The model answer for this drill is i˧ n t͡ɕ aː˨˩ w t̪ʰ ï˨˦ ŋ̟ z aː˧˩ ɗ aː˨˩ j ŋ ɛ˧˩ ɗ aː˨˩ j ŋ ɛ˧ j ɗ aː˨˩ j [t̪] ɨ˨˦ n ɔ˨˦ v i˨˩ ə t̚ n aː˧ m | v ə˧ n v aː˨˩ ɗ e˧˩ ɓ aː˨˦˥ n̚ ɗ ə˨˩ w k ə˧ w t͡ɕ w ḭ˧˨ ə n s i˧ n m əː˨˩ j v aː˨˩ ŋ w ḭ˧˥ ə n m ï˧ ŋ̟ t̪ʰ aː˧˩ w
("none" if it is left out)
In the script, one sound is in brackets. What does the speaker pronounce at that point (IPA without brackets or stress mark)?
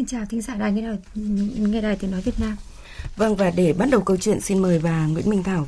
t̪